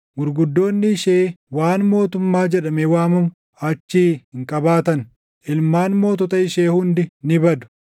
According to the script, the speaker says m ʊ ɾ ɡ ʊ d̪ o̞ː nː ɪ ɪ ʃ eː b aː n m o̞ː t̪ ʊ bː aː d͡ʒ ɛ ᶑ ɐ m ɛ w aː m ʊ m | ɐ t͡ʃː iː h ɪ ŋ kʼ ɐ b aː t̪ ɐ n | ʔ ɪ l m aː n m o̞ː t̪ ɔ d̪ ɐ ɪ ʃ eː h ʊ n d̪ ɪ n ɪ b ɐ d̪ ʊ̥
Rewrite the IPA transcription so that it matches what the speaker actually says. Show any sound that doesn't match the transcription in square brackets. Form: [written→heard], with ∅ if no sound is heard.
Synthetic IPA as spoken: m ʊ ɾ ɡ ʊ [d̪→d̪ː] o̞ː nː ɪ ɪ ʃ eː [b→w] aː n m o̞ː t̪ ʊ [bː→mː] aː d͡ʒ ɛ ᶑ ɐ m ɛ w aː m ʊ m | ɐ t͡ʃː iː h ɪ ŋ kʼ ɐ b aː t̪ ɐ n | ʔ ɪ l m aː n m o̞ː t̪ ɔ [d̪→t̪] ɐ ɪ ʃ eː h ʊ n d̪ ɪ n ɪ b ɐ d̪ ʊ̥

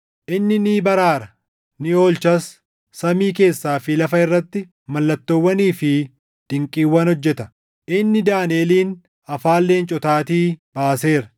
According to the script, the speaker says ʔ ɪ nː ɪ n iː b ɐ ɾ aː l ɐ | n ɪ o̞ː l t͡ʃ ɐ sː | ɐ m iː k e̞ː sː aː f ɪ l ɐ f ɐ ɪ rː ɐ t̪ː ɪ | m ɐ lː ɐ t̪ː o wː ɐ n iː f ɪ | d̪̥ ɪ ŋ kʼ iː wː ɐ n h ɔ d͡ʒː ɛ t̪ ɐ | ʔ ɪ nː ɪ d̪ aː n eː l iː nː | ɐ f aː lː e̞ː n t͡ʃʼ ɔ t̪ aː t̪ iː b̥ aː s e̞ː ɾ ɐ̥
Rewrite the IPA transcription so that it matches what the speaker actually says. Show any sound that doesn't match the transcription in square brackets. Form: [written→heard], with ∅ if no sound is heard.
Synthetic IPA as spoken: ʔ ɪ nː ɪ n iː b ɐ ɾ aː [l→ɾ] ɐ | n ɪ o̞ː l t͡ʃ ɐ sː | ɐ m iː k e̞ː sː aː f ɪ l ɐ f ɐ ɪ rː ɐ t̪ː ɪ | m ɐ lː ɐ t̪ː o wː ɐ n iː f ɪ | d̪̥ ɪ ŋ kʼ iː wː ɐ n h ɔ d͡ʒː ɛ t̪ ɐ | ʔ ɪ nː ɪ d̪ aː n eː l iː [nː→n] | ɐ f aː lː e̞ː n t͡ʃʼ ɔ t̪ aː t̪ iː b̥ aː s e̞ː ɾ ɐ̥

